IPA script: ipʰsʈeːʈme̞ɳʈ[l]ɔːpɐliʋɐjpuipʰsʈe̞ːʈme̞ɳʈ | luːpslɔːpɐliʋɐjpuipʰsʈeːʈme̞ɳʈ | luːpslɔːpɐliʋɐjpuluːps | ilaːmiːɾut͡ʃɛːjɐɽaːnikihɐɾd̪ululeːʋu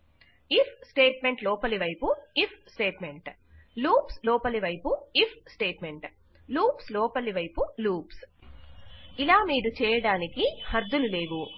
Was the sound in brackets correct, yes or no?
yes